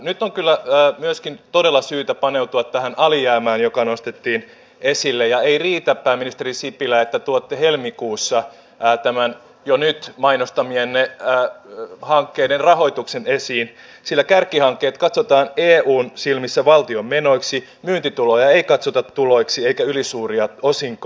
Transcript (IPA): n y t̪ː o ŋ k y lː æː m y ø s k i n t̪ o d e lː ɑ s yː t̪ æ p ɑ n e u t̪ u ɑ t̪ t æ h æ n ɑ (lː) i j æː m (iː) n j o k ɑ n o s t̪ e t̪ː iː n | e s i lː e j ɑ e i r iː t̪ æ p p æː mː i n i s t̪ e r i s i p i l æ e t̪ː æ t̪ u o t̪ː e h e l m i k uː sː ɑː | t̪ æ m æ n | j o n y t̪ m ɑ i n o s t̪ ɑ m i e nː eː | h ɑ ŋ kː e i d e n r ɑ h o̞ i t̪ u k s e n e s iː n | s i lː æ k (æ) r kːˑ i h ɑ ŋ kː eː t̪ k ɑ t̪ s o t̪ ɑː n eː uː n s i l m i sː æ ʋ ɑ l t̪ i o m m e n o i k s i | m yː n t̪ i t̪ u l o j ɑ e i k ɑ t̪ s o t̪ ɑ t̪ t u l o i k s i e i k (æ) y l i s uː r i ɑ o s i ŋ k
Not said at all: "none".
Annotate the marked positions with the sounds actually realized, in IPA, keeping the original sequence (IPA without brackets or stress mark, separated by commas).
l, æː, æ, æ